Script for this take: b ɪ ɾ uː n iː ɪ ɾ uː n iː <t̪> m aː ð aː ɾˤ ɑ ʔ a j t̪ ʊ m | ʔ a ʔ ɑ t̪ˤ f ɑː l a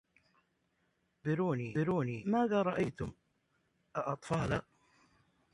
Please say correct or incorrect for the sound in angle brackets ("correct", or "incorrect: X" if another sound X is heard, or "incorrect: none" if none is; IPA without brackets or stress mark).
incorrect: none